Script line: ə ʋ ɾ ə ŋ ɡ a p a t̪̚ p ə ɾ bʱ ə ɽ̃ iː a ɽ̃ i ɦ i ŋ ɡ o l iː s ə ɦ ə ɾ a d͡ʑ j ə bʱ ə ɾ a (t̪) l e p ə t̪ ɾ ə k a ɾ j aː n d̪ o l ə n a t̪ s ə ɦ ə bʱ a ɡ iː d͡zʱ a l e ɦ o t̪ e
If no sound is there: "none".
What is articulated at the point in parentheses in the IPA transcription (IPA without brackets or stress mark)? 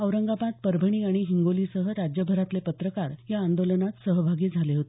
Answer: t̪